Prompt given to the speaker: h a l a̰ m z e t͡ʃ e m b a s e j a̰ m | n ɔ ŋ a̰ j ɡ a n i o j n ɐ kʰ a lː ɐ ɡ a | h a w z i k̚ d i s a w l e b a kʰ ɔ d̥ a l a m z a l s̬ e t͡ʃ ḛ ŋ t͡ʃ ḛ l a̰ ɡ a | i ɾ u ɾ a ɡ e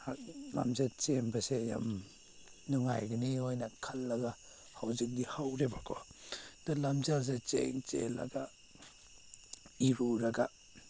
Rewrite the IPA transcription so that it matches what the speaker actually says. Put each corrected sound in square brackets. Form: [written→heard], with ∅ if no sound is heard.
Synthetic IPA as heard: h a l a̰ m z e t͡ʃ e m b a s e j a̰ m | n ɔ ŋ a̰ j ɡ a n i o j n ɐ kʰ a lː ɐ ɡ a | h a w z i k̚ d i [s→h] a w [l→ɾ] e b a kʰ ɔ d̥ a l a m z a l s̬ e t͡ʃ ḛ ŋ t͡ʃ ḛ l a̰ ɡ a | i ɾ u ɾ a ɡ [e→a]